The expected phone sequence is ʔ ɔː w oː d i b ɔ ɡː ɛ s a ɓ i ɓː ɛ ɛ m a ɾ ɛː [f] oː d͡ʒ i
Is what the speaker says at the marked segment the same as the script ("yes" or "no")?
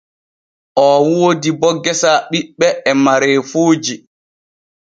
yes